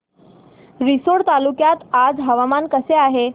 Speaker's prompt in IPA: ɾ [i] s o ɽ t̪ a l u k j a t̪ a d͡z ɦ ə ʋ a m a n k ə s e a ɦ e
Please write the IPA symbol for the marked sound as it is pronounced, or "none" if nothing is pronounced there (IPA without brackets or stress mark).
i